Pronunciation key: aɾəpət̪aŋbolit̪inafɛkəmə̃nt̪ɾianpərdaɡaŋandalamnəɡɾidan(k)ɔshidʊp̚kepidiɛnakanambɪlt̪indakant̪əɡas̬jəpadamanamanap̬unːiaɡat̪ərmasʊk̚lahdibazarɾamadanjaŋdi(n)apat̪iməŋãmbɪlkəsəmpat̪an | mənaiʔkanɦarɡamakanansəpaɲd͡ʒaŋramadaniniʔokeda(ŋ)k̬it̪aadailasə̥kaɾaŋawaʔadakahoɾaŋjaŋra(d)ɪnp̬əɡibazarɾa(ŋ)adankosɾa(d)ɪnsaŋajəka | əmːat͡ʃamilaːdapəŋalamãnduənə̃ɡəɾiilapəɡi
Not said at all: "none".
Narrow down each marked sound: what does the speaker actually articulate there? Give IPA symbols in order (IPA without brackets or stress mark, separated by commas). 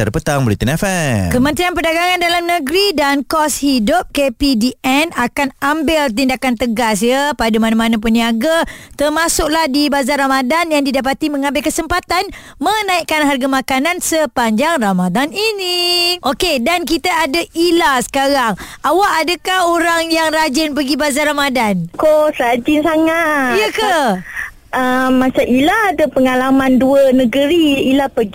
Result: k, d, n, d͡ʒ, m, d͡ʒ